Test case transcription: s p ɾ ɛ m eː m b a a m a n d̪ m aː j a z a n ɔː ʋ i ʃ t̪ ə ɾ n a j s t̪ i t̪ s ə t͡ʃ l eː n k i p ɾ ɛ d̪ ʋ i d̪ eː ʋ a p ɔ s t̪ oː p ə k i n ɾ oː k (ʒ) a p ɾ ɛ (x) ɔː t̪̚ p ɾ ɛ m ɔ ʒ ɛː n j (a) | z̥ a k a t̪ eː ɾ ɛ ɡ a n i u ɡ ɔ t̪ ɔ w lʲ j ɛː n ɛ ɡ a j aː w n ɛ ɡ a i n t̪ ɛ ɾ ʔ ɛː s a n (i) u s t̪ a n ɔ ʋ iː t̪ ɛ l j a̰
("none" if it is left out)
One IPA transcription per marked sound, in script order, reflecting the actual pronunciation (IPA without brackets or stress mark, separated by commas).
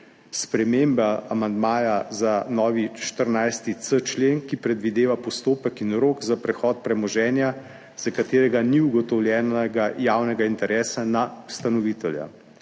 z, x, a, a